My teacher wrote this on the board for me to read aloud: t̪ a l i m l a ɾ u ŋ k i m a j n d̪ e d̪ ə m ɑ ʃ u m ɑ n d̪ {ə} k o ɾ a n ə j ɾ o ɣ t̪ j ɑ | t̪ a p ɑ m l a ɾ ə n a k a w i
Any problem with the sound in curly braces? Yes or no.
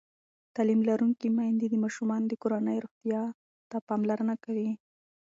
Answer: no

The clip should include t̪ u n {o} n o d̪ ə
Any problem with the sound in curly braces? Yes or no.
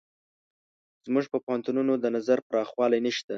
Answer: yes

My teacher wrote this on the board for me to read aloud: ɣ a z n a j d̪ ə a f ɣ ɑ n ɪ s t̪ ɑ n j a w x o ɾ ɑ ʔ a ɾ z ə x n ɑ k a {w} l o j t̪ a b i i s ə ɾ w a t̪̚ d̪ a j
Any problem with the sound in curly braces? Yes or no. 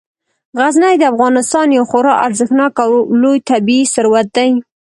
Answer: no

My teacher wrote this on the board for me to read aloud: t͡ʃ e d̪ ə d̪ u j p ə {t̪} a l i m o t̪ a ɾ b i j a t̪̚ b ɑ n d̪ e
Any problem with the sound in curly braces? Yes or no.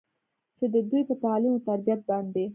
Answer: no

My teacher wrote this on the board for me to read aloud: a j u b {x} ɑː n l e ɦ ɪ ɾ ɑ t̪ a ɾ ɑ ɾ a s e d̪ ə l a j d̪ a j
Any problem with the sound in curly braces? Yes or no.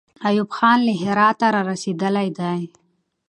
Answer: no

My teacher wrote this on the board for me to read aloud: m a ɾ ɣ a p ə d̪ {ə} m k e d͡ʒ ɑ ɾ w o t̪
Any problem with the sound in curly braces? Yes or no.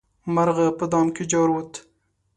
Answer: yes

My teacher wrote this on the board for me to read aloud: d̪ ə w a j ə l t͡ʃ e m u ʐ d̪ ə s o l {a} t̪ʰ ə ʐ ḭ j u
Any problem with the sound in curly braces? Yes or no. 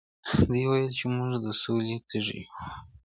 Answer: yes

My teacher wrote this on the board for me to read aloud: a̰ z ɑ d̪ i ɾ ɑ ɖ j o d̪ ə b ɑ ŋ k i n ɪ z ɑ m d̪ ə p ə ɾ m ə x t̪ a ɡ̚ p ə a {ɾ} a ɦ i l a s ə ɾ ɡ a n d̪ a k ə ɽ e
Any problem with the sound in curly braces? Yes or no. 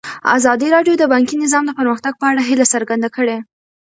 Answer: yes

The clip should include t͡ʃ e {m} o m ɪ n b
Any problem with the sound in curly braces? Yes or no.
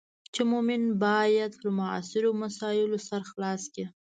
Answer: no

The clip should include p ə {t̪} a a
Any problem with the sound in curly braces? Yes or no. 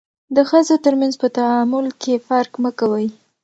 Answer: no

